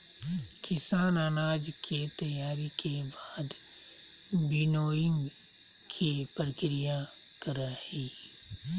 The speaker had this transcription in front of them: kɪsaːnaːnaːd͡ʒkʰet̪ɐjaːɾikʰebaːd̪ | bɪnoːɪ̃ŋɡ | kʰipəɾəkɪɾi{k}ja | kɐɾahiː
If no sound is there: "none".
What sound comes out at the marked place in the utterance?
none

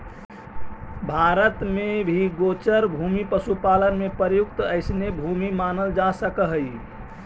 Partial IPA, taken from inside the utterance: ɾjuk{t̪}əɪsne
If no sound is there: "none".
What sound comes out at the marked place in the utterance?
t̪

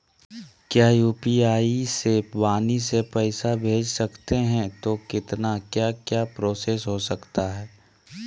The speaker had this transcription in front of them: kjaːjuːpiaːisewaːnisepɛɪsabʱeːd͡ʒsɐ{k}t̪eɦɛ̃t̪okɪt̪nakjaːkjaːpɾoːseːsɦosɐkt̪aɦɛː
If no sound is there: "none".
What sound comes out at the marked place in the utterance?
k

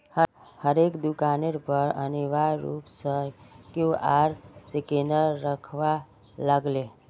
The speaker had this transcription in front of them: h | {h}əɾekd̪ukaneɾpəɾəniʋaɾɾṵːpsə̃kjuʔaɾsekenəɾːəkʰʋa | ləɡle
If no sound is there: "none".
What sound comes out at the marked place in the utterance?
h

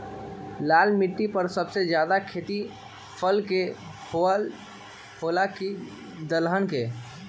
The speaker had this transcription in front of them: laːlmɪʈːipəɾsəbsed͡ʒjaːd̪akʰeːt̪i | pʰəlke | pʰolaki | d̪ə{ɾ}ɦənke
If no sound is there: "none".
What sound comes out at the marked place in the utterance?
l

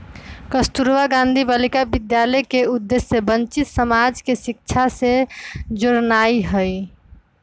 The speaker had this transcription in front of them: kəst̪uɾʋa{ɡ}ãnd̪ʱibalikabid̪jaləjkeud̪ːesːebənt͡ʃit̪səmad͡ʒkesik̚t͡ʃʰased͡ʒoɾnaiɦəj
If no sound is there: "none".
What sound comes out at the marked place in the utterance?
ɡ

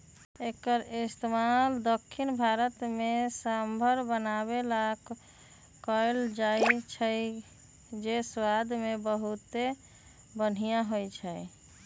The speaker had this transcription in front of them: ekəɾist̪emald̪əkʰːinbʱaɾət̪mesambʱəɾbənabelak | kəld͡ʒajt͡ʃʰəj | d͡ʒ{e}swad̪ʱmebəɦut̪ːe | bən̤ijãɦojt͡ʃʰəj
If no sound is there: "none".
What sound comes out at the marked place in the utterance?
e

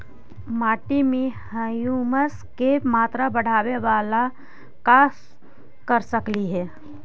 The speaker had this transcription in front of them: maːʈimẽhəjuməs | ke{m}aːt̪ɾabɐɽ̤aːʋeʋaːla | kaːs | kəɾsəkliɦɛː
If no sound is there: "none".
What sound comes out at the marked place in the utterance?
m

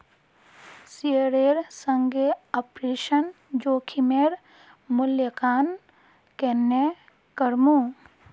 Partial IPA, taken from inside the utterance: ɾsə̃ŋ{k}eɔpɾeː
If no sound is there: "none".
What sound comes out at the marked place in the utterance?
ɡ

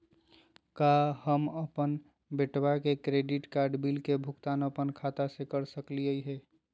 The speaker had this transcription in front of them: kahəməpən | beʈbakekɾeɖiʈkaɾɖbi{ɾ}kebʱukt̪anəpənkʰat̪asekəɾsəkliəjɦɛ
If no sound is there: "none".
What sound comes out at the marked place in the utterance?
l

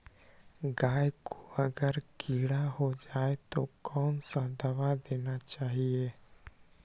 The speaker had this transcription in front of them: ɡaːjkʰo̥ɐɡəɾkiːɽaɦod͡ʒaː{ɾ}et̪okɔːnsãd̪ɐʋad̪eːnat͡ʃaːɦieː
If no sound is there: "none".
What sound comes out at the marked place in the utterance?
none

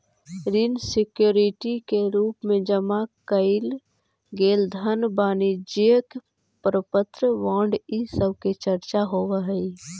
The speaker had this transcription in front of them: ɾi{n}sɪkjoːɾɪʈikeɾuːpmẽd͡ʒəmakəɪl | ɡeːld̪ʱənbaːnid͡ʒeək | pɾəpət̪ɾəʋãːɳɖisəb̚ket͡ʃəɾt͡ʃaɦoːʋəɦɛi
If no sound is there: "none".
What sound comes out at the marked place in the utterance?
n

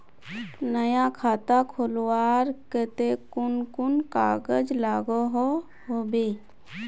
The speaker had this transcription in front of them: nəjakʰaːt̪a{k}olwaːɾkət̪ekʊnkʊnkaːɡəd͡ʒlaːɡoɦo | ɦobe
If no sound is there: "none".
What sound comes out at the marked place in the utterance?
kʰ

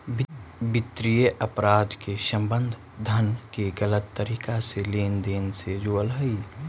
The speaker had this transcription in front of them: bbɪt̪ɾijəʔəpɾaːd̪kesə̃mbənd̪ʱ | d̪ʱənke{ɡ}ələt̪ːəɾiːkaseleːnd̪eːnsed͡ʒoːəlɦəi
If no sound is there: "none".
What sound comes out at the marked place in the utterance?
ɡ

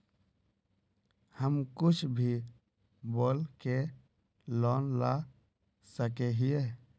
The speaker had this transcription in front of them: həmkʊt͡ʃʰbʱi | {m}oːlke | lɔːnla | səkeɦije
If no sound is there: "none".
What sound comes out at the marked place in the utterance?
b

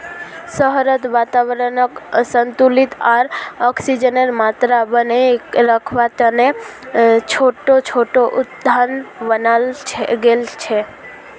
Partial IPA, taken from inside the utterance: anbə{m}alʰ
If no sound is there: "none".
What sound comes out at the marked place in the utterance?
n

